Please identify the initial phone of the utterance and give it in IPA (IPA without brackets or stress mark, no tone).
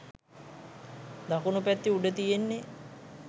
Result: d̪